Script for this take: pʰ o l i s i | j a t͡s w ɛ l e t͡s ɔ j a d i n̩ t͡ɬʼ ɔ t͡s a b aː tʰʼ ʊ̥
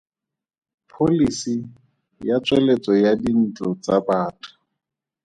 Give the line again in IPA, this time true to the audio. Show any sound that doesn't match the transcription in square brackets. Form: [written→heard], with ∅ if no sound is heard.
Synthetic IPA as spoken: pʰ o l i s i | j a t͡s w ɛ l e t͡s ɔ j a d i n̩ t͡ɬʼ ɔ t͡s a b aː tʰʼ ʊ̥

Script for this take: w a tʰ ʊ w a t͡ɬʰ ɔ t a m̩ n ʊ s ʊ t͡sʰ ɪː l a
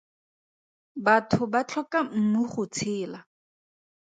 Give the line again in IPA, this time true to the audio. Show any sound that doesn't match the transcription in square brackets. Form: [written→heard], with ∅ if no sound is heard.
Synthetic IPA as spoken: [w→b] a tʰ ʊ [w→b] a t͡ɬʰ ɔ [t→k] a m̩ n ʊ [s→χ] ʊ t͡sʰ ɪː l a

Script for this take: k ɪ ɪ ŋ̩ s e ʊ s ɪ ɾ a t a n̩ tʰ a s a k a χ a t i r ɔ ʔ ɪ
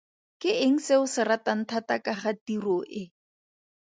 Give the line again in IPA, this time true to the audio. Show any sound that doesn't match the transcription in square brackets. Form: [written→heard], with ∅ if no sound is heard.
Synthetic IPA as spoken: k ɪ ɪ ŋ̩ s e ʊ s ɪ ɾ a t a n̩ tʰ a [s→t] a k a χ a t i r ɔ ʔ ɪ

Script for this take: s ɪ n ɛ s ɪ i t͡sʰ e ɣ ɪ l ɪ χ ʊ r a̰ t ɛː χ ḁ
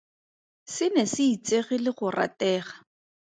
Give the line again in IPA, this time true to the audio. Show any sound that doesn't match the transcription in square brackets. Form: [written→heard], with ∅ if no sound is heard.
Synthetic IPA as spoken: s ɪ n ɛ s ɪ i [t͡sʰ→t͡s] e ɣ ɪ l ɪ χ ʊ r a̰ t ɛː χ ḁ

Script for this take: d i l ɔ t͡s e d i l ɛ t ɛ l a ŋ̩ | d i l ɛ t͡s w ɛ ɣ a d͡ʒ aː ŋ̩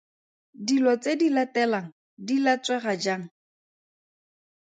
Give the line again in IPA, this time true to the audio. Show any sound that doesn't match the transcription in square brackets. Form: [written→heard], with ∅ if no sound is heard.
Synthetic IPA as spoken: d i l ɔ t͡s e d i l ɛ t ɛ l a ŋ̩ | d i l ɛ t͡s w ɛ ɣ a d͡ʒ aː ŋ̩

